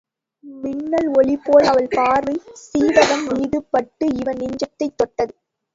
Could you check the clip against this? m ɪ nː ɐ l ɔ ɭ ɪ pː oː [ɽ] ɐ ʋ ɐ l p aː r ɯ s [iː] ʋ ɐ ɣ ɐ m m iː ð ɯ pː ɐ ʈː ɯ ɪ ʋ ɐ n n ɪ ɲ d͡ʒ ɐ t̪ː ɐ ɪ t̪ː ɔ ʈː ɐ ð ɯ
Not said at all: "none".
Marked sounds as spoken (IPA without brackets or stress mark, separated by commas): l, iː